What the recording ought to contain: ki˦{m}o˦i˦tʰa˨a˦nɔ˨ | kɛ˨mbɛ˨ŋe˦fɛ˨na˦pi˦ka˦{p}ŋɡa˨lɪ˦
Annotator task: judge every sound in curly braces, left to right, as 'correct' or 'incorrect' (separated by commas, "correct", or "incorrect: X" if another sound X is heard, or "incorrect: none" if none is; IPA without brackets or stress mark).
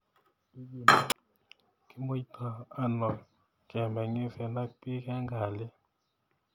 correct, incorrect: none